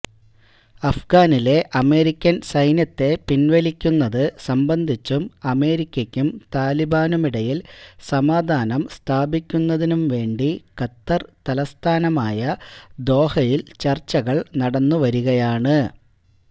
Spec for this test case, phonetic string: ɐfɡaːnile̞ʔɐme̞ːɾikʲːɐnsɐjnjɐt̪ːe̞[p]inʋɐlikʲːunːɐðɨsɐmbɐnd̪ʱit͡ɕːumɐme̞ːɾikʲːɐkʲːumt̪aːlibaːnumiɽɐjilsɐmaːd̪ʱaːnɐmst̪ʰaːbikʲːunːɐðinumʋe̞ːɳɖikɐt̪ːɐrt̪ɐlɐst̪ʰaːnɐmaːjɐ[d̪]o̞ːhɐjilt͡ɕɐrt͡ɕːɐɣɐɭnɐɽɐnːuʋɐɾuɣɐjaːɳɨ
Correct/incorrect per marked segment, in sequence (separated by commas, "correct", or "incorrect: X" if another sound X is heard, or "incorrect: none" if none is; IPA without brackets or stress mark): correct, correct